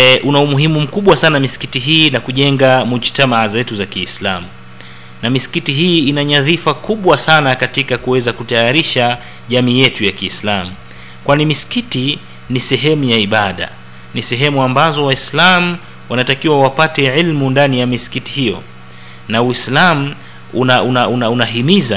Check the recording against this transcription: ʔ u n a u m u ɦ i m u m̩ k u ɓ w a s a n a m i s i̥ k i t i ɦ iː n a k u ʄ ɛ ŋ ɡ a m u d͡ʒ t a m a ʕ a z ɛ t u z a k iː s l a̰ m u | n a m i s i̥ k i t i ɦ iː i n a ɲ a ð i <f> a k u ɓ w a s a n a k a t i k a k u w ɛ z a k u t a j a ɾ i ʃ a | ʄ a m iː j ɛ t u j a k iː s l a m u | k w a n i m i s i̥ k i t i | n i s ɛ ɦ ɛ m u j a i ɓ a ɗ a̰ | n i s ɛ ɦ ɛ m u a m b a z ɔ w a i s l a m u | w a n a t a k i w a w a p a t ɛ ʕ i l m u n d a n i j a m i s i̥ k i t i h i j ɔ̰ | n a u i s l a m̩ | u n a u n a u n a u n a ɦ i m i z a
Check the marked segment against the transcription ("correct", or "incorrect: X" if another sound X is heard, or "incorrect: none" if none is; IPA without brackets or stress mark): correct